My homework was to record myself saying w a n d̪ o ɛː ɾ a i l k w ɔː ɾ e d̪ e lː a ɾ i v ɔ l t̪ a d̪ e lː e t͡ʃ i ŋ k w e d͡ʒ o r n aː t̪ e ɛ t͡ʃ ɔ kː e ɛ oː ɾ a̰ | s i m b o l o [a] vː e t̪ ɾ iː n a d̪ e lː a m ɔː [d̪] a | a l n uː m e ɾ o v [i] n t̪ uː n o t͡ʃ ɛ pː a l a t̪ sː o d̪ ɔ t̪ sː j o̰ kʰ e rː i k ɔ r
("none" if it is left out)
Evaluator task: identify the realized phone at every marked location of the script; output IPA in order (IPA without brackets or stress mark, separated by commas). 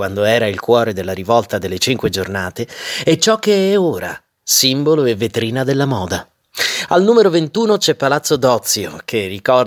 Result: e, d̪, e